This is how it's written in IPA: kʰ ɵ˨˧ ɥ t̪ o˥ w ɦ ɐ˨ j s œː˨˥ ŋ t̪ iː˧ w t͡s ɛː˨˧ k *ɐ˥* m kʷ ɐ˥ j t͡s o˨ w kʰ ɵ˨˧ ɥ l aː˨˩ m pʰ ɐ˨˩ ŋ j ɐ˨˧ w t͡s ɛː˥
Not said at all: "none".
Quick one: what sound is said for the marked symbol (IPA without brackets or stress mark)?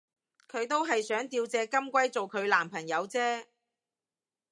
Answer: ɐ˥